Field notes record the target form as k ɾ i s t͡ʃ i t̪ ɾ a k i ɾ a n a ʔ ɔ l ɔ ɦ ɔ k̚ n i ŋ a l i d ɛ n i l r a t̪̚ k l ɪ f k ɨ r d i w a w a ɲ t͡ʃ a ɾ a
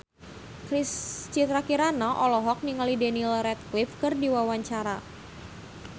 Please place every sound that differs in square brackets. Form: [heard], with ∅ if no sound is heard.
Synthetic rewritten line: k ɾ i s t͡ʃ i t̪ ɾ a k i ɾ a n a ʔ ɔ l ɔ ɦ ɔ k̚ n i ŋ a l i d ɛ n i l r [ɛ] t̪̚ k l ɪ f k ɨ r d i w a w a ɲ t͡ʃ a ɾ a